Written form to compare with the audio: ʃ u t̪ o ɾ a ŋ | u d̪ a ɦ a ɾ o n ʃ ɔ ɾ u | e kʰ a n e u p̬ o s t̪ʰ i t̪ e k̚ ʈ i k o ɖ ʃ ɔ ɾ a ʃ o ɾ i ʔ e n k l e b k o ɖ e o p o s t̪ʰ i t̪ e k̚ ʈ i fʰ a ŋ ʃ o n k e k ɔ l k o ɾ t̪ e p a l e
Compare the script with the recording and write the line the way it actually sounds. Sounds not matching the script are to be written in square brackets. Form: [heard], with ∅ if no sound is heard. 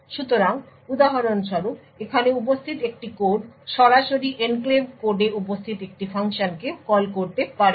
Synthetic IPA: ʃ u t̪ o ɾ a ŋ | u d̪ a ɦ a ɾ o n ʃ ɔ ɾ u | e kʰ a n e u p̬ o s t̪ʰ i t̪ e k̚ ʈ i k o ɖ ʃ ɔ ɾ a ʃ o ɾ i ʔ e n k l e b k o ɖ e [u] p o s t̪ʰ i t̪ e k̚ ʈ i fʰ a ŋ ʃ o n k e k ɔ l k o ɾ t̪ e p a [ɾ] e